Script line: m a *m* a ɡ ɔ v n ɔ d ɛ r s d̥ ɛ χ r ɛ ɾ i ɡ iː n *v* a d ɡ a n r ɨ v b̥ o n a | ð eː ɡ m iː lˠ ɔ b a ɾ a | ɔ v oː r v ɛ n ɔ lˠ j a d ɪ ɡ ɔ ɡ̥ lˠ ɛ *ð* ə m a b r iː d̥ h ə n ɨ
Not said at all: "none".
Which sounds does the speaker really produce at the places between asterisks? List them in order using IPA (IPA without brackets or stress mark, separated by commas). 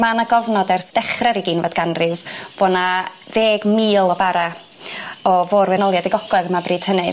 n, v, ð